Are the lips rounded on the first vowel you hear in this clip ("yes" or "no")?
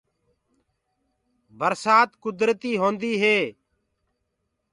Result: no